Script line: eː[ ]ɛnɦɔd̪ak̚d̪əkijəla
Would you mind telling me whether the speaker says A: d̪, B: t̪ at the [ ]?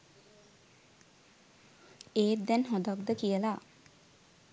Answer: A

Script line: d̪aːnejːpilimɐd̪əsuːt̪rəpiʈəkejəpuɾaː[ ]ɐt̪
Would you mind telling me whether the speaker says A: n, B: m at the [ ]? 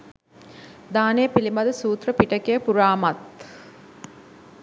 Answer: B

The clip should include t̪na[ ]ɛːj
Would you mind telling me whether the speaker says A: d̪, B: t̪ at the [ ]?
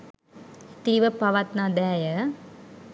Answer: A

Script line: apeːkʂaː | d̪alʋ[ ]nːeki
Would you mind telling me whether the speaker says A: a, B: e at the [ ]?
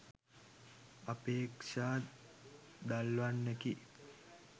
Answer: A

